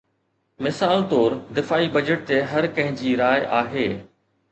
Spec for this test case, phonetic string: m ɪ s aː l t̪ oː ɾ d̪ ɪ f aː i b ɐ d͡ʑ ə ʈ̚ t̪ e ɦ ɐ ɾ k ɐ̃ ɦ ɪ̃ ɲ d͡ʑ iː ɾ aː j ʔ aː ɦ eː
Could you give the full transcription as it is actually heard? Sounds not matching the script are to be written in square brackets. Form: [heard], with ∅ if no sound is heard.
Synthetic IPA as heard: m ɪ s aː l t̪ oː ɾ d̪ ɪ f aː i b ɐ d͡ʑ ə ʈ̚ t̪ e ɦ ɐ ɾ k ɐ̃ ɦ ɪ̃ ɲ d͡ʑ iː ɾ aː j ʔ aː ɦ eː